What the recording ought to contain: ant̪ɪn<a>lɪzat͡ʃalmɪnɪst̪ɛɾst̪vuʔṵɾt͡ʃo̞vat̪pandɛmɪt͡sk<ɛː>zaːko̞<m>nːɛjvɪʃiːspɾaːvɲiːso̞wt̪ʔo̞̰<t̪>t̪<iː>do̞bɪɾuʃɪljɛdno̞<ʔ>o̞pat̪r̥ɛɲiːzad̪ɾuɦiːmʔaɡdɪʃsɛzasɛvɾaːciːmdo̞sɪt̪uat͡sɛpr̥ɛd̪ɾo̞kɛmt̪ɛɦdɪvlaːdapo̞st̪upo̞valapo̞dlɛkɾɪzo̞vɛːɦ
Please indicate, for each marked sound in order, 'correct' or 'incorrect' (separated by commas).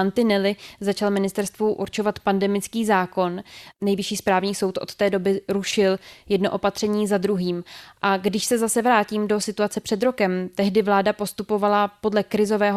incorrect, incorrect, incorrect, correct, incorrect, correct